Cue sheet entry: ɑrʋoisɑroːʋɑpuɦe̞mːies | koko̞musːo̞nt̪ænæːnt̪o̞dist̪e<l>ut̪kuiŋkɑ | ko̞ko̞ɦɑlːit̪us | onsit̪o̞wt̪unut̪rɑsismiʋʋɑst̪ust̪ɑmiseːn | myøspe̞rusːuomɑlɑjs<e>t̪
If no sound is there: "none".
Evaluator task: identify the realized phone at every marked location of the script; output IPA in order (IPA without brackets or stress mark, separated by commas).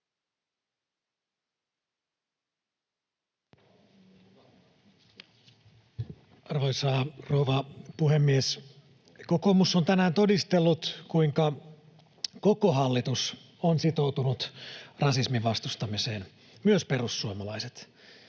lː, e